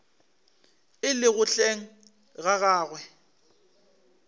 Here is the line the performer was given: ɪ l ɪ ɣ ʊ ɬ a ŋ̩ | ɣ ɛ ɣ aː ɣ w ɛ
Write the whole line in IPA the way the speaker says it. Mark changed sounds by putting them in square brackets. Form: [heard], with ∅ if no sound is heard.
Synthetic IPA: ɪ l ɪ ɣ ʊ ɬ [e] ŋ̩ | ɣ [a] ɣ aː ɣ w ɛ